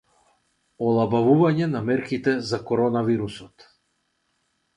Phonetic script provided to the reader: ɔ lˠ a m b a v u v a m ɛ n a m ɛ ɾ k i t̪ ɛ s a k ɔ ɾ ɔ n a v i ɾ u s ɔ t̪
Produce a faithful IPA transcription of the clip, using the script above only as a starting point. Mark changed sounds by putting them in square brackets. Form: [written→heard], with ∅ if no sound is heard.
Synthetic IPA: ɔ lˠ a [m→∅] b a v u v a [m→ɲ] ɛ n a m ɛ ɾ k i t̪ ɛ [s→z] a k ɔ ɾ ɔ n a v i ɾ u s ɔ t̪